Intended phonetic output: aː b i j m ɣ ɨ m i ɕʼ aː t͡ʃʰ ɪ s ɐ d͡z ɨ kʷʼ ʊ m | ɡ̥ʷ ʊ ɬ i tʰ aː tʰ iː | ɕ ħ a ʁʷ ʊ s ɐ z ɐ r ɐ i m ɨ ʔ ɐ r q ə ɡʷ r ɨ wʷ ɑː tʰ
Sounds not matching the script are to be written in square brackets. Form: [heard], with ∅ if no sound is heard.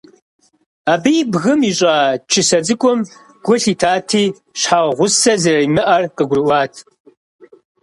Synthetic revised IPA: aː b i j [b] ɣ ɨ m i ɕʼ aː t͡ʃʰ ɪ s ɐ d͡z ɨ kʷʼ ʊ m | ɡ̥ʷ ʊ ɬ i tʰ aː tʰ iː | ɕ ħ a ʁʷ ʊ s ɐ z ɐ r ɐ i m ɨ ʔ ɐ r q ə ɡʷ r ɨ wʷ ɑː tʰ